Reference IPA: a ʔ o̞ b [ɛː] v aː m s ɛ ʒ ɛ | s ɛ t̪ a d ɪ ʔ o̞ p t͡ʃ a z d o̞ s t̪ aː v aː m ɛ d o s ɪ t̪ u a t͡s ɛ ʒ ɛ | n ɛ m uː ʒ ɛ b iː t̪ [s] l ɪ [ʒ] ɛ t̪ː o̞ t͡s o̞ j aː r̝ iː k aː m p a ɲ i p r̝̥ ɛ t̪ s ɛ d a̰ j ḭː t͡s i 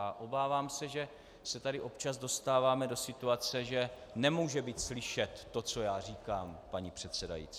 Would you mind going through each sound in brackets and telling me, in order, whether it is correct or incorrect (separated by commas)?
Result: incorrect, correct, incorrect